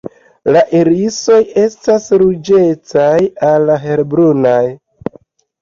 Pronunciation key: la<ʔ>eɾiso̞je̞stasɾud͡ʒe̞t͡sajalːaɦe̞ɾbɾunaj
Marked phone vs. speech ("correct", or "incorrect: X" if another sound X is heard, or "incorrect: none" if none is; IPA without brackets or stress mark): correct